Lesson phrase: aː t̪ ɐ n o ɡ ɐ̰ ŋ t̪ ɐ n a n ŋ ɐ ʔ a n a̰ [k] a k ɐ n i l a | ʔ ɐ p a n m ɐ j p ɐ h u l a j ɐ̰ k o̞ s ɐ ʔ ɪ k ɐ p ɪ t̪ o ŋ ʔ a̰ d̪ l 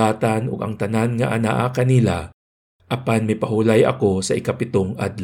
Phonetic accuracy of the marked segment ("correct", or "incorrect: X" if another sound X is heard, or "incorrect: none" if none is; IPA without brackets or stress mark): incorrect: ʔ